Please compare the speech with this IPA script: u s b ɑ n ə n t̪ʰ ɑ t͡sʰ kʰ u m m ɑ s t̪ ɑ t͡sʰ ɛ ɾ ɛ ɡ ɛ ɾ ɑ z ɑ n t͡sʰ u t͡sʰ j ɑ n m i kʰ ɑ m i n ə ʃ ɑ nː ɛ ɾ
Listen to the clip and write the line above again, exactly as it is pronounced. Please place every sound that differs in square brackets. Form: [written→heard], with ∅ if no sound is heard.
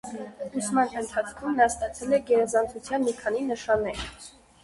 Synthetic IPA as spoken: u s [b→m] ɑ n ə n t̪ʰ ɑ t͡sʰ kʰ u m [m→n] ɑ s t̪ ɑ t͡sʰ ɛ [ɾ→l] ɛ ɡ ɛ ɾ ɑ z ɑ n t͡sʰ u t͡sʰ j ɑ n m i kʰ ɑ [m→n] i n ə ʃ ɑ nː ɛ ɾ